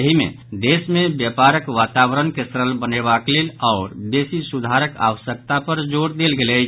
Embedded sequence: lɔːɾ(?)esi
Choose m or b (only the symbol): b